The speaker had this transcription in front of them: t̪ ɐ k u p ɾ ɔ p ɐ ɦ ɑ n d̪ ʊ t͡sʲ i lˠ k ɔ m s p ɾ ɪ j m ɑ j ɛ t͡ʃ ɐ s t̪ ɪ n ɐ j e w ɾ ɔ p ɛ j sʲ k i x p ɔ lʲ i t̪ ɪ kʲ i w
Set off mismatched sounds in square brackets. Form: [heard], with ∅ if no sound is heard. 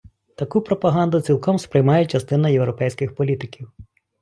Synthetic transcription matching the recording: t̪ ɐ k u p ɾ ɔ p ɐ ɦ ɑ n d̪ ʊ t͡sʲ i lˠ k ɔ m s p ɾ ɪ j m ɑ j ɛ t͡ʃ ɐ s t̪ ɪ n ɐ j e w ɾ ɔ p ɛ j sʲ k [ɪ] x p ɔ lʲ i t̪ ɪ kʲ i w